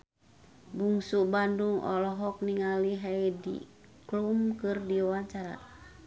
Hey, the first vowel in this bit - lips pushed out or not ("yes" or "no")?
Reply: yes